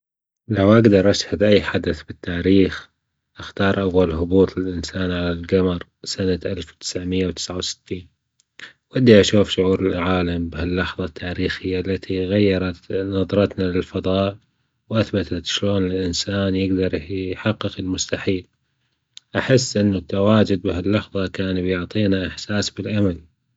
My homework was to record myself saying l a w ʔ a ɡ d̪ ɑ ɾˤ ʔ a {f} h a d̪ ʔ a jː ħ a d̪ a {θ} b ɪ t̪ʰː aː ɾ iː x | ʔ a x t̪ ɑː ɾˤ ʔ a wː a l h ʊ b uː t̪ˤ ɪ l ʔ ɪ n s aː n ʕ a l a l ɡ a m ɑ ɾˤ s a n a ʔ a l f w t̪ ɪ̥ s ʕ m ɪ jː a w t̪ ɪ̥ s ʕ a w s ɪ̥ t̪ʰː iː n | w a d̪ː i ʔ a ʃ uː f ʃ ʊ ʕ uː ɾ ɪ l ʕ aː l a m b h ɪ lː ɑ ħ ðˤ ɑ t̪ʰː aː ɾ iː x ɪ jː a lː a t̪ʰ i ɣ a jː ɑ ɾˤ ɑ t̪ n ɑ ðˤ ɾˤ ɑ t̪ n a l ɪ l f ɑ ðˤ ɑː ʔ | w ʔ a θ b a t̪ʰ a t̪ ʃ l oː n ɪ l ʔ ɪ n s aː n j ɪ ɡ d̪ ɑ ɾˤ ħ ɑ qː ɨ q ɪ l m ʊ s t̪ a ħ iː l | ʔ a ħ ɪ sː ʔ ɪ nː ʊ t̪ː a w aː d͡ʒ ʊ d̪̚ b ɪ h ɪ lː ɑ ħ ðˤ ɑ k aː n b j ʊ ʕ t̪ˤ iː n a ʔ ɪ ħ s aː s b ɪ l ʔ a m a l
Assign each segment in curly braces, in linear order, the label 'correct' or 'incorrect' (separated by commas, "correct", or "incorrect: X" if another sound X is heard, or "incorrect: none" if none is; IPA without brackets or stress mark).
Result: incorrect: ʃ, correct